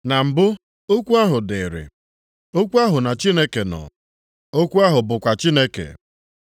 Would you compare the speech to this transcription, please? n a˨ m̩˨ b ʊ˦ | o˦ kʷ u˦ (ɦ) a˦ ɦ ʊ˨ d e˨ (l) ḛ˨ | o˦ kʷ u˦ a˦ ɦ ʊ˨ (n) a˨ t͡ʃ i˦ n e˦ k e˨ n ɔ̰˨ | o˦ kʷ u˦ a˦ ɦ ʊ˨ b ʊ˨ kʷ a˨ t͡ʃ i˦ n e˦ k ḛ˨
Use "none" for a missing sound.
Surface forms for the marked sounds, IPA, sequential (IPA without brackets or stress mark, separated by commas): none, ɾ, n